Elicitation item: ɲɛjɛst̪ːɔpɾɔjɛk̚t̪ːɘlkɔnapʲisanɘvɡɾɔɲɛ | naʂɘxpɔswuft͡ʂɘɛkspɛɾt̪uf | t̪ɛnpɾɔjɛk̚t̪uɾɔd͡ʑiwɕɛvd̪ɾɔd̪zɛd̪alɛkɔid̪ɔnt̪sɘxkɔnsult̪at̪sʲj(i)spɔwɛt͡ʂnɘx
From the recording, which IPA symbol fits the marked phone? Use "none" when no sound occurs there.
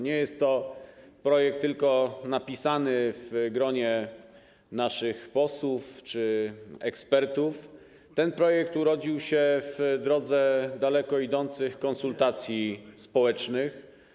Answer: i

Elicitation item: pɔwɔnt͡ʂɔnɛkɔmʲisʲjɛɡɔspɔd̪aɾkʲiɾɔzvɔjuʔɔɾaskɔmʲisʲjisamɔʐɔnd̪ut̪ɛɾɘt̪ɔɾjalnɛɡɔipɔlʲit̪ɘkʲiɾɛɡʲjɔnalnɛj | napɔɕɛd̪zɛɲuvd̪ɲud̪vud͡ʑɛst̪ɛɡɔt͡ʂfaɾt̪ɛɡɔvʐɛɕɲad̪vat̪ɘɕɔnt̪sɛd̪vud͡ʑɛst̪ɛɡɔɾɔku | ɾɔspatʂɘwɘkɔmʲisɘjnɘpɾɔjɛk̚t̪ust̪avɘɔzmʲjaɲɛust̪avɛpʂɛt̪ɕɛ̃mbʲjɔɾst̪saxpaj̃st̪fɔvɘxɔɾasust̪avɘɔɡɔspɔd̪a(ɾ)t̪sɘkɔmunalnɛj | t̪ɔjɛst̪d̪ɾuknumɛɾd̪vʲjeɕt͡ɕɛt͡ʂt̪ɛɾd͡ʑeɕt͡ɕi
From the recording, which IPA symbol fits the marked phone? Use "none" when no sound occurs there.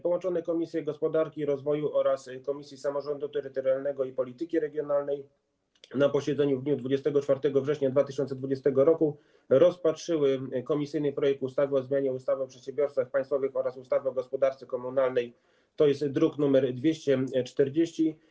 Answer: ɾ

